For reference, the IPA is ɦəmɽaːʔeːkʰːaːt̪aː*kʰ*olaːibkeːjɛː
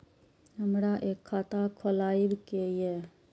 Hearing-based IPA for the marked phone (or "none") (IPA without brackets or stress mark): kʰ